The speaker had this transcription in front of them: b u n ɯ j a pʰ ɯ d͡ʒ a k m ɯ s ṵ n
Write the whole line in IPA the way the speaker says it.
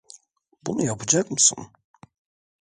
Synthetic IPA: b u n u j a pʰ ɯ d͡ʒ a k m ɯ s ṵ n